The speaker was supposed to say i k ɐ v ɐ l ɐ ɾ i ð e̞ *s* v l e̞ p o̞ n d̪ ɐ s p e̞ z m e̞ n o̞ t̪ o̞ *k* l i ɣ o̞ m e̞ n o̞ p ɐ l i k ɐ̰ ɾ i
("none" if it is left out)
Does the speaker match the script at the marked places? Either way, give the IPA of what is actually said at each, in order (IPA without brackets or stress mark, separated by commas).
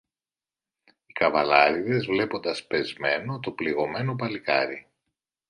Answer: z, p